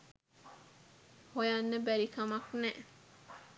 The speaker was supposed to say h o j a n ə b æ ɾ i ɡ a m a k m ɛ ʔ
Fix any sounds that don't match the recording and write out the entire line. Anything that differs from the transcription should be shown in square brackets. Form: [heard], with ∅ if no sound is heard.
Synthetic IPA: h o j a [nː] ə b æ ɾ i [k] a m a k [n] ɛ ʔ